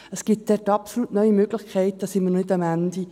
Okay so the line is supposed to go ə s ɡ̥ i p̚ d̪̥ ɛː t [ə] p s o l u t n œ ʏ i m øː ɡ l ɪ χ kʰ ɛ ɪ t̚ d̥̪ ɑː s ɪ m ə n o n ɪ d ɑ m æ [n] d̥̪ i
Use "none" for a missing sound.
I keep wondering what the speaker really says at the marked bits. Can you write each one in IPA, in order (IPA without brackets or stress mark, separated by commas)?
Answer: ɑ, n